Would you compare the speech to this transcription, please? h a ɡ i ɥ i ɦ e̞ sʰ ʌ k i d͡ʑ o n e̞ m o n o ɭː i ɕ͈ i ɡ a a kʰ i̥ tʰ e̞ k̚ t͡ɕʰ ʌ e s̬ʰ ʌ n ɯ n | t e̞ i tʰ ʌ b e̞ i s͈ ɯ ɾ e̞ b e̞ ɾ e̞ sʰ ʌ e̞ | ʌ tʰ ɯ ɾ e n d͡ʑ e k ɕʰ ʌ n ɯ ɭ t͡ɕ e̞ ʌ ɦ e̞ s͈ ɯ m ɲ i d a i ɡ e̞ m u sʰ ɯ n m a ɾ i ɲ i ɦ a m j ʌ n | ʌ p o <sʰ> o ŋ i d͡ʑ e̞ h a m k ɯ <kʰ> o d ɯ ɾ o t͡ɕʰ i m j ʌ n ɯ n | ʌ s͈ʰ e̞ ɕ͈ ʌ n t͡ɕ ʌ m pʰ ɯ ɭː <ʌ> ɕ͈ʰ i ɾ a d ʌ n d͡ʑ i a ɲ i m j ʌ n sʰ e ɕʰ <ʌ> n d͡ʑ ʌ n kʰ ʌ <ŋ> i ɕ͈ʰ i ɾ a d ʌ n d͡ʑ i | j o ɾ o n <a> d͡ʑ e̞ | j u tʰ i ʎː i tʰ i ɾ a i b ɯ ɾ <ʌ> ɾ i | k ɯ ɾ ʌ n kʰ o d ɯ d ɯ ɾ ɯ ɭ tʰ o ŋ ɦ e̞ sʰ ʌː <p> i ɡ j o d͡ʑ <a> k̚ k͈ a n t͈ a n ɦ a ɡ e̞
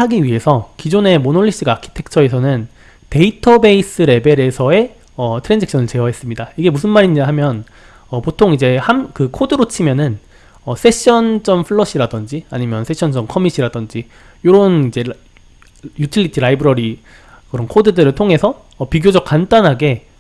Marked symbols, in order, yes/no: no, yes, yes, yes, no, no, yes, yes, no

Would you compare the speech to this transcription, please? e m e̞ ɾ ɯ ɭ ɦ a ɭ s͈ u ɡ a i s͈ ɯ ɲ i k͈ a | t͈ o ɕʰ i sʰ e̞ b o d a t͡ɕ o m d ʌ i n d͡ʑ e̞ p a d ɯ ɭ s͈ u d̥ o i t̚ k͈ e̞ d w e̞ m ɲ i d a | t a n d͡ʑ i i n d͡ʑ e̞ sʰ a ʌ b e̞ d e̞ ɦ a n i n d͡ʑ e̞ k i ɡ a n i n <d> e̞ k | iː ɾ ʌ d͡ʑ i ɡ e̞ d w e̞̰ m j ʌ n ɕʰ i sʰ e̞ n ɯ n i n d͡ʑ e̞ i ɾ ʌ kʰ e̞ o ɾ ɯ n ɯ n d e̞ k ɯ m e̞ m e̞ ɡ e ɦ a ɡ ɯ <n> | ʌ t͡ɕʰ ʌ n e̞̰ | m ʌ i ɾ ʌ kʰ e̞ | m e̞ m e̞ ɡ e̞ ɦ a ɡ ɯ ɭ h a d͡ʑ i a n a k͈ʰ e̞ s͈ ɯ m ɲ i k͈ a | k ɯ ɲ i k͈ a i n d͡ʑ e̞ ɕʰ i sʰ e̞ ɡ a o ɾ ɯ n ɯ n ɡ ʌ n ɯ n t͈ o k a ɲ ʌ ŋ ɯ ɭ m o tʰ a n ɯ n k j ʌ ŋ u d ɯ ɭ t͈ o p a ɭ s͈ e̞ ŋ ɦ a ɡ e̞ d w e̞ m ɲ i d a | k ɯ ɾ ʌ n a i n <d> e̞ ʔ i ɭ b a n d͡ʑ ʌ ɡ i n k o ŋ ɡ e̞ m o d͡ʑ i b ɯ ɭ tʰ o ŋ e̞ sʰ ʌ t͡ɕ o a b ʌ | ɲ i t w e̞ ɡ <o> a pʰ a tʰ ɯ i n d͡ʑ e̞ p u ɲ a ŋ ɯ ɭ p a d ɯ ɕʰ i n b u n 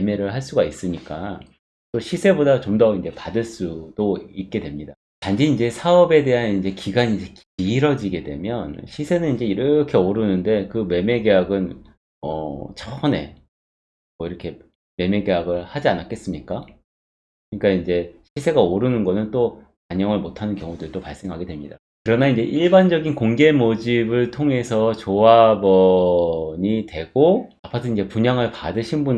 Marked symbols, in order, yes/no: no, yes, no, yes

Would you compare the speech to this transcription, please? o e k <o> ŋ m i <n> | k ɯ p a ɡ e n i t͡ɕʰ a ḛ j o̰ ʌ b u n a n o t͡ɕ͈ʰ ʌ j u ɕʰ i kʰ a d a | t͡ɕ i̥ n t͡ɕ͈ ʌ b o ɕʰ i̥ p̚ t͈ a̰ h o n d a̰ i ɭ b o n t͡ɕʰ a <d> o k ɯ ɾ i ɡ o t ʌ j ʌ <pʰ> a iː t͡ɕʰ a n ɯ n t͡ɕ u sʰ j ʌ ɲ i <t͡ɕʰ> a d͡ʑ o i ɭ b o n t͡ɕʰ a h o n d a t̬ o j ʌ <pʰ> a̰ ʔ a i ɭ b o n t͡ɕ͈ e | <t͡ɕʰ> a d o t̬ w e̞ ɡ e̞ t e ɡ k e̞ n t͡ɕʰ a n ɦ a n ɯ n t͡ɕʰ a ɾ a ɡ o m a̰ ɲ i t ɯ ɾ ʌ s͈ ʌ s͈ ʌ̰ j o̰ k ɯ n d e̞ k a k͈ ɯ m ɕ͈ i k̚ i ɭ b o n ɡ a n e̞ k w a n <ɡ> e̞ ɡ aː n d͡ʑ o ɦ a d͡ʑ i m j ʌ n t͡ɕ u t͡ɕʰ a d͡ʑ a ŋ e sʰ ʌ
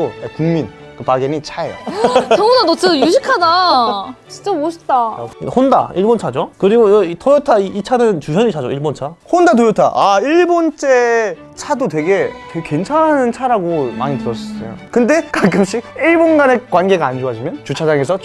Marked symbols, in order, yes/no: no, yes, no, no, yes, no, yes, yes

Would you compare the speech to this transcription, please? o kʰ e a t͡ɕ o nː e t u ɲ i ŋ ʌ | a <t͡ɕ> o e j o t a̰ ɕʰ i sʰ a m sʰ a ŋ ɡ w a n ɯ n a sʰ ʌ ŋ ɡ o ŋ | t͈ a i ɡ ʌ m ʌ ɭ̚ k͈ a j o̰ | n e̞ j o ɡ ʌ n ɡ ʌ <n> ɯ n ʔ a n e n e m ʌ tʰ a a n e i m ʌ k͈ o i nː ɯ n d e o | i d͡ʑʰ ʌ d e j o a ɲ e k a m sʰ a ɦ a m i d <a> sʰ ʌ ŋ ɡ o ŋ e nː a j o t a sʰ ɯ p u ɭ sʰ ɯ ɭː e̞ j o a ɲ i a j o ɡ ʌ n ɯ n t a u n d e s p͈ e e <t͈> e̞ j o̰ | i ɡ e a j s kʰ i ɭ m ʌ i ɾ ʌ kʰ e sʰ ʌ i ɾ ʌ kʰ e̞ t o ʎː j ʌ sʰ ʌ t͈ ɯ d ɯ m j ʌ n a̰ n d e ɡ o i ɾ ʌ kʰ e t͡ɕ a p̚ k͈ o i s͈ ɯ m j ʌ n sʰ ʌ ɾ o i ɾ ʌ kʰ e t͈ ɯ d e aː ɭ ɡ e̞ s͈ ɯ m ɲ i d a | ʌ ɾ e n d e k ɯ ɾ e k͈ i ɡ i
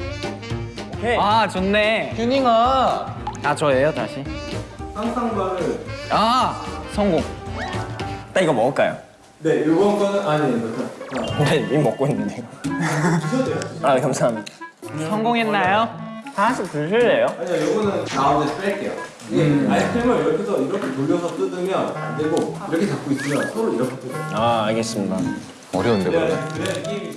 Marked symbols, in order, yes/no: yes, yes, yes, no

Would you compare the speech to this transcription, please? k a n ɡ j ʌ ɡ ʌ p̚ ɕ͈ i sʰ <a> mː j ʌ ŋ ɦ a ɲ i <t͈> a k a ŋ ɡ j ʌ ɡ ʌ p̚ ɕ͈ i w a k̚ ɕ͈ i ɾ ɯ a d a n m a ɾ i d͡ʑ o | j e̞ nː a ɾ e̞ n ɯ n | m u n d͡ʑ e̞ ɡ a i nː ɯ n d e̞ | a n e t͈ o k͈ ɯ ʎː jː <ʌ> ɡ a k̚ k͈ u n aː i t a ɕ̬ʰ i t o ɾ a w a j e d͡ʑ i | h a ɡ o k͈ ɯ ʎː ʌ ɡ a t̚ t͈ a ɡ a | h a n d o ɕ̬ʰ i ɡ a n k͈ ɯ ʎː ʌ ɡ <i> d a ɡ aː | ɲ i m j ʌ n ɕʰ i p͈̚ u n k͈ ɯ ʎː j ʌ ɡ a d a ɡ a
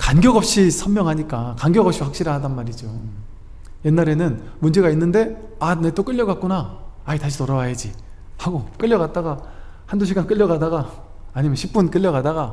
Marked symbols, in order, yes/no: no, no, yes, no

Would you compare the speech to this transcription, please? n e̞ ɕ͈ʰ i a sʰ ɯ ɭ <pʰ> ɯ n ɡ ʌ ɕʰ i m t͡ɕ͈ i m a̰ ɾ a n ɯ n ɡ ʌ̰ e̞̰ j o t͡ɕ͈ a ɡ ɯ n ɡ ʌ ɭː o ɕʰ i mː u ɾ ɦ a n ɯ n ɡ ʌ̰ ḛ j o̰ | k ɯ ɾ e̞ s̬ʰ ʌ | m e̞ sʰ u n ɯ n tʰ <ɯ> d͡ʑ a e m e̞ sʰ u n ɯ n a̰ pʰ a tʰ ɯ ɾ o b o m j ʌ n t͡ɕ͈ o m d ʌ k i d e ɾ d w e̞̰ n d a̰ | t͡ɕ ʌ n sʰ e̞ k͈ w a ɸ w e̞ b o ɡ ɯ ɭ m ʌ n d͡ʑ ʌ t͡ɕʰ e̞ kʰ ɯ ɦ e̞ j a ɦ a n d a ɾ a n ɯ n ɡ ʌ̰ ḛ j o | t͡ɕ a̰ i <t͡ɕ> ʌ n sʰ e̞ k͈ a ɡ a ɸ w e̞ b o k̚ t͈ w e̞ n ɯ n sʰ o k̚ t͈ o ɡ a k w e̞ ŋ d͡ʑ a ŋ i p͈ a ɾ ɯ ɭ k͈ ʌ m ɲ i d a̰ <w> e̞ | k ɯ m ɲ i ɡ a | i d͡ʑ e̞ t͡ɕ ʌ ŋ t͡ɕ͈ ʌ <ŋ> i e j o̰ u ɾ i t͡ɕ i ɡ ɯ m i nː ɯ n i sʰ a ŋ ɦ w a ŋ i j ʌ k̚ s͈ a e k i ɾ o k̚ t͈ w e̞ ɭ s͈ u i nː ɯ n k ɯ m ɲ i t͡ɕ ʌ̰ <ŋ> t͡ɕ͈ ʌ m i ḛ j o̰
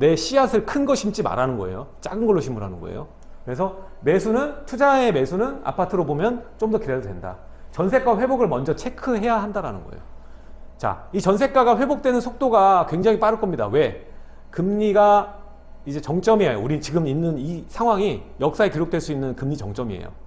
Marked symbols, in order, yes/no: no, no, yes, yes, no, yes

